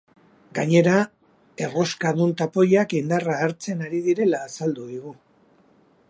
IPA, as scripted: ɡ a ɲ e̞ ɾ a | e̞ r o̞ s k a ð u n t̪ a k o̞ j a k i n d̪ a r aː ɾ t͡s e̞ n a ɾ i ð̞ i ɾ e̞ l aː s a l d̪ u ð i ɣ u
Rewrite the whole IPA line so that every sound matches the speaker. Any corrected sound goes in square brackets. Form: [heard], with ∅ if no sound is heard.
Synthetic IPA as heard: ɡ a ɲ e̞ ɾ a | e̞ r o̞ s k a ð u n t̪ a [p] o̞ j a k i n d̪ a r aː ɾ t͡s e̞ n a ɾ i ð̞ i ɾ e̞ l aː s a l d̪ u ð i ɣ u

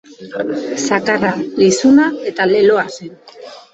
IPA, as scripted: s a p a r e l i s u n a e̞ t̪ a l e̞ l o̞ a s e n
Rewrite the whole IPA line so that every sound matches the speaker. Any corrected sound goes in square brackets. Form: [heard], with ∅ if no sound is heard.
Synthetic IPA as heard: s a [k] a r [a] l i s u n a e̞ t̪ a l e̞ l o̞ a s e n

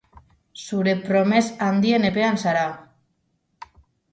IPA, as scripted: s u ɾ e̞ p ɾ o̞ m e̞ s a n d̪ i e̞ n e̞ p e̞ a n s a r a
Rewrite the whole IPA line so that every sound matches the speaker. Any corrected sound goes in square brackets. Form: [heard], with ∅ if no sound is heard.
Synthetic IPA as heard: s u ɾ e̞ p ɾ o̞ m e̞ s a n d̪ i e̞ n e̞ p e̞ a n s a [ɾ] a

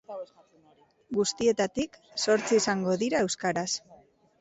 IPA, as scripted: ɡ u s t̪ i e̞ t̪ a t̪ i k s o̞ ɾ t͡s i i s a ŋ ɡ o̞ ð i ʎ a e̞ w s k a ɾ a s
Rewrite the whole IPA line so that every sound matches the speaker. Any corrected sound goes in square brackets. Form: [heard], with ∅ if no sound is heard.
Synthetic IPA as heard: ɡ u s t̪ i e̞ t̪ a t̪ i k s o̞ ɾ t͡s i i s a ŋ ɡ o̞ ð i [ɾ] a e̞ w s k a ɾ a s

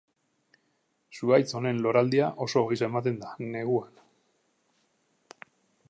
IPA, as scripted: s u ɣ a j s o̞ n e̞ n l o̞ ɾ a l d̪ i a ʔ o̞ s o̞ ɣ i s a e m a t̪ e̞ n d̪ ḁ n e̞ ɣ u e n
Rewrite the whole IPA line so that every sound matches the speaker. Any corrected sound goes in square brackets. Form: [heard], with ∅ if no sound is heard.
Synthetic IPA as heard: s u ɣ a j [t͡s] o̞ n e̞ n l o̞ ɾ a l d̪ i a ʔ o̞ s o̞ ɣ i s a e m a t̪ e̞ n d̪ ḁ n e̞ ɣ u [a] n

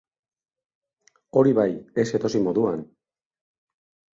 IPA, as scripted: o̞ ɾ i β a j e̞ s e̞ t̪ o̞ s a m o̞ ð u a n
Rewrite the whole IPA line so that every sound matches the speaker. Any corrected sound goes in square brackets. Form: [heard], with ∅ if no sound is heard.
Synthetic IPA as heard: o̞ ɾ i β a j e̞ s e̞ t̪ o̞ s [i] m o̞ ð u a n

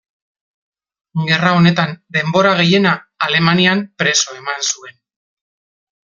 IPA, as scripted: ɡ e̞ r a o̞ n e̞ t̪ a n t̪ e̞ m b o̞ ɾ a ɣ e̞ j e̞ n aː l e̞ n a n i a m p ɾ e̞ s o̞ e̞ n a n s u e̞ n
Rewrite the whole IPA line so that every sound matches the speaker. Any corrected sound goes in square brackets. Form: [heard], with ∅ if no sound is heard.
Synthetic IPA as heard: ɡ e̞ r a o̞ n e̞ t̪ a n [d̪] e̞ m b o̞ ɾ a ɣ e̞ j e̞ n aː l e̞ [m] a n i a m p ɾ e̞ s o̞ e̞ [m] a n s u e̞ n

